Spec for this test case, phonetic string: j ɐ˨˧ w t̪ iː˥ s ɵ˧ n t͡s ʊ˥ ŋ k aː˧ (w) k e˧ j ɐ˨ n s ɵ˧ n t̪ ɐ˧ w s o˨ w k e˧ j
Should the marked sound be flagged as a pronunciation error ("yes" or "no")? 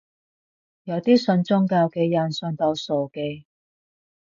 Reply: no